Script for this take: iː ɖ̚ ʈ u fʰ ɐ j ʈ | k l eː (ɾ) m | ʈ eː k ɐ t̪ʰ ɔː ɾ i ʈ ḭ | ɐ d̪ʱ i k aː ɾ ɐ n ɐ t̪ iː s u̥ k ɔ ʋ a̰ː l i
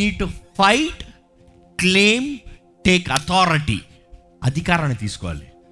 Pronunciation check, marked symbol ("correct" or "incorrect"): incorrect